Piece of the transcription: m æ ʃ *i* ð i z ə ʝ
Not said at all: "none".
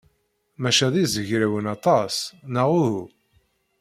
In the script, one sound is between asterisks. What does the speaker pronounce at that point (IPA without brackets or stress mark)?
æ